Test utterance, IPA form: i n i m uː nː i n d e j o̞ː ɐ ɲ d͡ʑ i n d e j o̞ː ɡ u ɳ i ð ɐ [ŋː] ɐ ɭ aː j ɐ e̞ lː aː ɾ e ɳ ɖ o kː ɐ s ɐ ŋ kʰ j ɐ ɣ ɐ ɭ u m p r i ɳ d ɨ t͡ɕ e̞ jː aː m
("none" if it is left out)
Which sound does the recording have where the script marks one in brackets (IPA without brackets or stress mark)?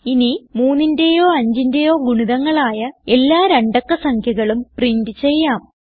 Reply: ŋː